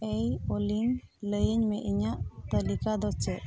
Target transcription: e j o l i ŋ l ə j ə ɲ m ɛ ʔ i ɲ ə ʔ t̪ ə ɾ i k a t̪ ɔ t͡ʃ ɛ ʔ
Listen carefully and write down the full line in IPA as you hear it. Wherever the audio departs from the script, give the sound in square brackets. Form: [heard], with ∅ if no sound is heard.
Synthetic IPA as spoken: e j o l i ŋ l ə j ə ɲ m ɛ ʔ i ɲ [a] ʔ t̪ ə [l] i k a [d̪] ɔ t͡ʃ ɛ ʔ